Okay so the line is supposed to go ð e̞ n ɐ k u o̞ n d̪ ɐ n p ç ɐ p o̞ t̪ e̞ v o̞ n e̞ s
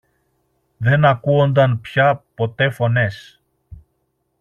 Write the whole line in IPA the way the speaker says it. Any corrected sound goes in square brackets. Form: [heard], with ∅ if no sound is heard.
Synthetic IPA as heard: ð e̞ n ɐ k u o̞ n d̪ ɐ n p ç ɐ p o̞ t̪ e̞ [f] o̞ n e̞ s